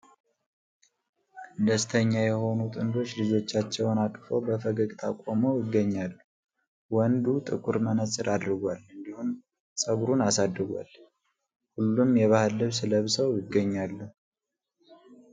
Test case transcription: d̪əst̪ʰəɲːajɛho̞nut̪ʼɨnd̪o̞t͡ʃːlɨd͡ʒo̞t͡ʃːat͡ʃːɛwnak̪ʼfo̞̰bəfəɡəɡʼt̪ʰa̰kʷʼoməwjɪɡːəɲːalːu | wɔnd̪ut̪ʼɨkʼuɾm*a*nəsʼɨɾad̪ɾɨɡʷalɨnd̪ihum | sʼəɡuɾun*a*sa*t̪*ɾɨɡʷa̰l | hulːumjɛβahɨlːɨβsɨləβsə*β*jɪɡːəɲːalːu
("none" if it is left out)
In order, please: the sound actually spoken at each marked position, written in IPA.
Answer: ə, a, d̪, w

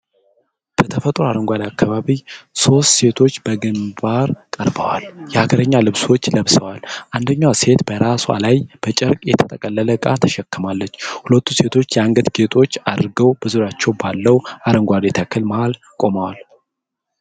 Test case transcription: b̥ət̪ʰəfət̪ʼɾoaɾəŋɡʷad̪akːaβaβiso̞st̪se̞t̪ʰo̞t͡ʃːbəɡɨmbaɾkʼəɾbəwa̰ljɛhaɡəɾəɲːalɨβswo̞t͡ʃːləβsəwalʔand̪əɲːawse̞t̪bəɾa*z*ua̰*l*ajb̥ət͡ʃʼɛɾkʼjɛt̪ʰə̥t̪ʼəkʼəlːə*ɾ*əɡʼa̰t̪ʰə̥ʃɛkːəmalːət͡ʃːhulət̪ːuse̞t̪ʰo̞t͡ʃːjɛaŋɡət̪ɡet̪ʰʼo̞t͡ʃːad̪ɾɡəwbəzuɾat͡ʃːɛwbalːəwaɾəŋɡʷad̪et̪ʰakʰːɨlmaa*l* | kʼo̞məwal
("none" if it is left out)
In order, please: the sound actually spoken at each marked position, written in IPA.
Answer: s, l, l, l

